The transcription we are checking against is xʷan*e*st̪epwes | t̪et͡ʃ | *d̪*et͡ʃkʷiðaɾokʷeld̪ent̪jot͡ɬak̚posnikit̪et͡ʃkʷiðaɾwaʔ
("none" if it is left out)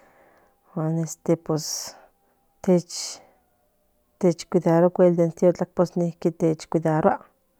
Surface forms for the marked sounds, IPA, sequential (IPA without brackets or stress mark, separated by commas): e, t̪